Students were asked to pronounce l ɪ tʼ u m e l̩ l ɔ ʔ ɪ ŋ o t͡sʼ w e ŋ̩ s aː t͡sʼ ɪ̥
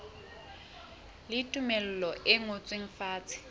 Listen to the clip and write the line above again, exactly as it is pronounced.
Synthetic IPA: l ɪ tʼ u m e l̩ l ɔ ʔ ɪ ŋ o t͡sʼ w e ŋ̩ f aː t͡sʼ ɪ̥